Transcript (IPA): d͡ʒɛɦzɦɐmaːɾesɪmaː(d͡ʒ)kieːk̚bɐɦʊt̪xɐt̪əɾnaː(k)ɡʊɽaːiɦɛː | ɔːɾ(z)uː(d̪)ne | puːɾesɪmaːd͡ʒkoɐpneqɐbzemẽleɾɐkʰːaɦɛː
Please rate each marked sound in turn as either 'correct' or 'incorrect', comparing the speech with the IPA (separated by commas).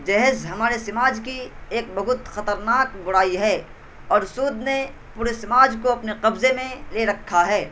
correct, correct, incorrect, correct